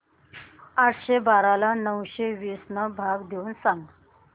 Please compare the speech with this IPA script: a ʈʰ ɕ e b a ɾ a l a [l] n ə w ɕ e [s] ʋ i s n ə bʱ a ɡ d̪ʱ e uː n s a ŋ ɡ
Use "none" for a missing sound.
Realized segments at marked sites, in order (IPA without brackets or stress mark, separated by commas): none, none